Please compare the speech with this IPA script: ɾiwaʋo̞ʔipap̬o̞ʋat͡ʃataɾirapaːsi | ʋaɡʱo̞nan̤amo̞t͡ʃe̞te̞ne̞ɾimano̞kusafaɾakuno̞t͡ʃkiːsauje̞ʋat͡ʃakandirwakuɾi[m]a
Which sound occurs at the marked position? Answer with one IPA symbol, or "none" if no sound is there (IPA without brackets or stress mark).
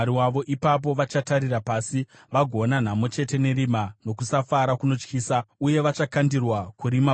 m